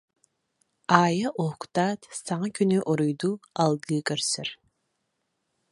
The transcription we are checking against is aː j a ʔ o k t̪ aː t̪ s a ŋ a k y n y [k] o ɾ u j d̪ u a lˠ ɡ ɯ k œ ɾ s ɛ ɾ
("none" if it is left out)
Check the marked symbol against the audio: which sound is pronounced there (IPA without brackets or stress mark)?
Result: ʔ